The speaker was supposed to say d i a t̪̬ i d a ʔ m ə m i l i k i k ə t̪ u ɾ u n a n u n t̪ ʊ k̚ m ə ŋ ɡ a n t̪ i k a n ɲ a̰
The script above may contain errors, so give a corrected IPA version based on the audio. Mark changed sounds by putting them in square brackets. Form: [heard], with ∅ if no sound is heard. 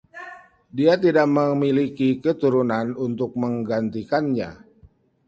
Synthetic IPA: d i a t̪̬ i d a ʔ m ə m i l i k i k ə t̪ u ɾ u n a n u n t̪ ʊ k̚ m ə ŋ ɡ a n t̪ i k a n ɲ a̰